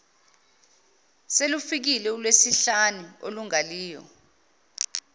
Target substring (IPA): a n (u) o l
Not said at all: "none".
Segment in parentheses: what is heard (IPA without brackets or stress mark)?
u